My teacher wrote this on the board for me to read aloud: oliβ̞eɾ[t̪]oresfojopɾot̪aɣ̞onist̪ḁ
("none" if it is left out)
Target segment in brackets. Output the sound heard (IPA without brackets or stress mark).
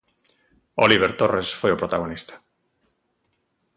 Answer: t̪